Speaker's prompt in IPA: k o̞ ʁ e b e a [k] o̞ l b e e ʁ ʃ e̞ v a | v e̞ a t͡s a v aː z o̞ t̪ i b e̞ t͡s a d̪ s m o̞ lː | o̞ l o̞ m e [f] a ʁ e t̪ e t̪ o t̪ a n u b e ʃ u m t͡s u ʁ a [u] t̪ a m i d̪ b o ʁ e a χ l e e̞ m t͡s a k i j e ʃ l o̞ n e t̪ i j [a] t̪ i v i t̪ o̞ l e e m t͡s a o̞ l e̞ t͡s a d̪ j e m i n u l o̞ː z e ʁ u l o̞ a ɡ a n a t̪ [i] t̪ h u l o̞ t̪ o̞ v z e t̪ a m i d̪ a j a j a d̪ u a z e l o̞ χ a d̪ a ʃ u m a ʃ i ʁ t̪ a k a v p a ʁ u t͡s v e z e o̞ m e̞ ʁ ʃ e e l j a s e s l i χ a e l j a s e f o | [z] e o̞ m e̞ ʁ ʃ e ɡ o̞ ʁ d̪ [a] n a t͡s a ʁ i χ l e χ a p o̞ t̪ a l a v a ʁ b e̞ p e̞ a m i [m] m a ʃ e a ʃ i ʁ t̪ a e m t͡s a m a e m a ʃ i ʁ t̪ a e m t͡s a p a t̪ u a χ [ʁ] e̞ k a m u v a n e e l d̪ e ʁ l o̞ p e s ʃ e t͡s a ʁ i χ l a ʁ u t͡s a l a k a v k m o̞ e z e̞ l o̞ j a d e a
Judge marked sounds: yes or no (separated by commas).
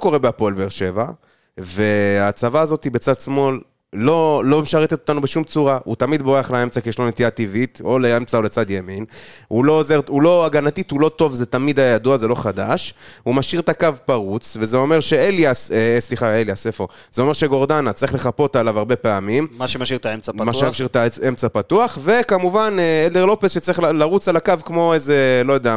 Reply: no, no, yes, yes, yes, yes, yes, yes, no